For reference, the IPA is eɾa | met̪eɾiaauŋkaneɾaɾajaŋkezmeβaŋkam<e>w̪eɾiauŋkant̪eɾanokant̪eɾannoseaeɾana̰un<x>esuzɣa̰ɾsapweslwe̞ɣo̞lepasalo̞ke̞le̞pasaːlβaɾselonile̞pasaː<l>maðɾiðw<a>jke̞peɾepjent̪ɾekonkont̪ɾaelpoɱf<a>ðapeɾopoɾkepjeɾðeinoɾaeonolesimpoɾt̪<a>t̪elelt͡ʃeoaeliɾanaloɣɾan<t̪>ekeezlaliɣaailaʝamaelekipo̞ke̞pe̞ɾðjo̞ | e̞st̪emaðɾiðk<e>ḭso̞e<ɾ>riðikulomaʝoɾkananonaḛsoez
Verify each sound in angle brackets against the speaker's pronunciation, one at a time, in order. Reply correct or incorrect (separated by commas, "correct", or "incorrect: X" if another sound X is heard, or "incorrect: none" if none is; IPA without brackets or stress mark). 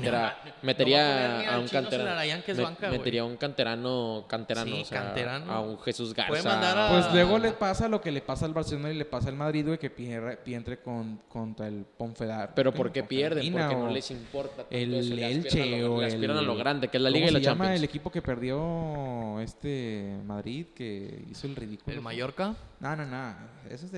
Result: correct, correct, correct, incorrect: e, incorrect: e, correct, incorrect: d̪, correct, incorrect: l